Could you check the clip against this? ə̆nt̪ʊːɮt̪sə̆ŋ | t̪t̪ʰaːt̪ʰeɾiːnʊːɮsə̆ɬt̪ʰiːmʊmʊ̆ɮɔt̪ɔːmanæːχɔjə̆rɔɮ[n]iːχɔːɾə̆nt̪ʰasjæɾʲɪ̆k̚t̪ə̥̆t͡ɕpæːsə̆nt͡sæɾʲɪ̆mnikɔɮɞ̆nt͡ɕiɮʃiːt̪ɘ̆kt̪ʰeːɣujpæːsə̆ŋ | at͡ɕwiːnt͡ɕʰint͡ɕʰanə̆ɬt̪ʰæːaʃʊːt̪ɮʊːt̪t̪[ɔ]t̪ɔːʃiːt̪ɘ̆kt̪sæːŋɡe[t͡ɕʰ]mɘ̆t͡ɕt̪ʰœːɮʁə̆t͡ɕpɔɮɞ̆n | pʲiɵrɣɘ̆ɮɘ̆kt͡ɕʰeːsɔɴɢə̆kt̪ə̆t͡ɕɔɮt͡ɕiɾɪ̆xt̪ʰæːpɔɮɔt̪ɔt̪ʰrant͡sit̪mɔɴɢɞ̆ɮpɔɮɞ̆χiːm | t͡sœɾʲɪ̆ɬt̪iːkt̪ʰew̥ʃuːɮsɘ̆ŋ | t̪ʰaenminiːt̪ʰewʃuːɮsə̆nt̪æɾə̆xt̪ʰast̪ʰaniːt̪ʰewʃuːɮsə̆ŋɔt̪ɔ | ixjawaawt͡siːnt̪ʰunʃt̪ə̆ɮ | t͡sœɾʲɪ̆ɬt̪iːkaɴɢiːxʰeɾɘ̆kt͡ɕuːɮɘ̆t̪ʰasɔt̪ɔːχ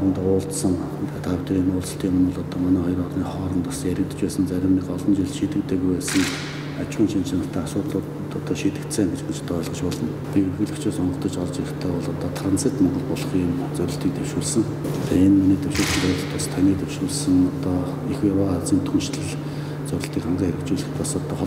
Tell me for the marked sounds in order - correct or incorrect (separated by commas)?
correct, correct, incorrect